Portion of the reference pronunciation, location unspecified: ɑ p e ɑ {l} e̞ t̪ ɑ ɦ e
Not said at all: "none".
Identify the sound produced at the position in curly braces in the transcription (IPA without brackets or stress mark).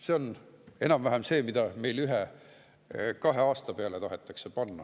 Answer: l